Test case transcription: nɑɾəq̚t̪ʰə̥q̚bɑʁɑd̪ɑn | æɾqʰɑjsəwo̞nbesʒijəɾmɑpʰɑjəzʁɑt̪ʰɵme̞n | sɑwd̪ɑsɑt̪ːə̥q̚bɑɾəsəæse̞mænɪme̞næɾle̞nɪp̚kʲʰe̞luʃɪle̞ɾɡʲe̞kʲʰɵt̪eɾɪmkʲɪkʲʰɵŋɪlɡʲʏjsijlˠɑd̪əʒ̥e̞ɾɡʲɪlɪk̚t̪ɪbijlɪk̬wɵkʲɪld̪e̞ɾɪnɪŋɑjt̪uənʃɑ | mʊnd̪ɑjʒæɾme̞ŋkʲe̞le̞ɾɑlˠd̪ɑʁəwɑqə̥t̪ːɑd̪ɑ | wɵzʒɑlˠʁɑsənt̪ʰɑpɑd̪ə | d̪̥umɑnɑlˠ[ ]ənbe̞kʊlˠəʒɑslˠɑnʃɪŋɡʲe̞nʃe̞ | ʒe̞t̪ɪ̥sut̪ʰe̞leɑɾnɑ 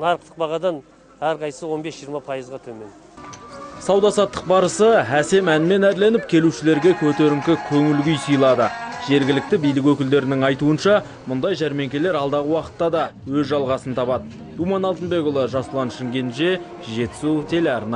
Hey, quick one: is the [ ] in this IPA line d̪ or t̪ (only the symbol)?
t̪